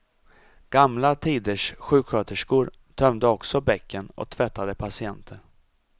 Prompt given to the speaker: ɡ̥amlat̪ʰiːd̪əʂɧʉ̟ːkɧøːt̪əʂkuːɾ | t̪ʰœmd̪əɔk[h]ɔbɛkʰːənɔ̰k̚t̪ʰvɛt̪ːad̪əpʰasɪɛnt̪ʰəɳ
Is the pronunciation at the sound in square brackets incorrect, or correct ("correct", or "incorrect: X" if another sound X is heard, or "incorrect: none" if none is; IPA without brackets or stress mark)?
incorrect: s